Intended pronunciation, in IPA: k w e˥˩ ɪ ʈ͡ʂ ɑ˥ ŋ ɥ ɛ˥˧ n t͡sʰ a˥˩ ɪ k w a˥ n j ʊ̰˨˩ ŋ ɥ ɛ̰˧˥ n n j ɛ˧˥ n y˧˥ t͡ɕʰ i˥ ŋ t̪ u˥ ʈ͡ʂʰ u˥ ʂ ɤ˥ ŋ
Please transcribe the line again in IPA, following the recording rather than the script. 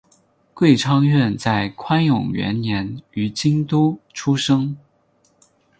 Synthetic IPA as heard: k w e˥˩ ɪ ʈ͡ʂʰ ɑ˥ ŋ ɥ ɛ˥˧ n t͡s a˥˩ ɪ kʰ w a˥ n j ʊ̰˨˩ ŋ ɥ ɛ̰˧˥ n n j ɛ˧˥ n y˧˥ t͡ɕ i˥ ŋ t̪ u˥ ʈ͡ʂʰ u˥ ʂ ɤ˥ ŋ